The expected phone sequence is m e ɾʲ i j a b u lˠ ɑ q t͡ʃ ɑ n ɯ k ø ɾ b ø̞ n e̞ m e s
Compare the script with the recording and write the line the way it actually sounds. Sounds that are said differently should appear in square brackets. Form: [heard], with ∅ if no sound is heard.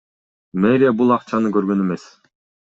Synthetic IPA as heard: m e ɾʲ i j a b u lˠ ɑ q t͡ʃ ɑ n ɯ k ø ɾ [ɡ] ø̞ n e̞ m e s